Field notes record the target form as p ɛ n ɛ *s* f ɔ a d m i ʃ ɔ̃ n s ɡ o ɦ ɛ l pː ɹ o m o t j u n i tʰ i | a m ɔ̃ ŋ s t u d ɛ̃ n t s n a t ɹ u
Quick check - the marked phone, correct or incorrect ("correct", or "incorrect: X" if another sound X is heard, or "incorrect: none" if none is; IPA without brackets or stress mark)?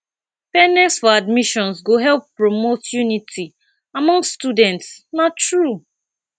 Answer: correct